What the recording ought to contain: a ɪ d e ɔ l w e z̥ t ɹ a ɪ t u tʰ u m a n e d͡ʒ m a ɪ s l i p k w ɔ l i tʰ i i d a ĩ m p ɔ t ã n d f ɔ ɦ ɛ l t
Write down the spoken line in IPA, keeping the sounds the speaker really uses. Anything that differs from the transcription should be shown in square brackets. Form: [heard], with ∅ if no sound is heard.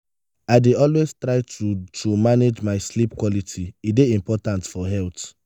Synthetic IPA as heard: a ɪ d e ɔ l w e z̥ t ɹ a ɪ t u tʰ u m a n e d͡ʒ m a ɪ s l i p k w ɔ l i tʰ i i d [e] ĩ m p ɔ t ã n [t] f ɔ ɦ ɛ l t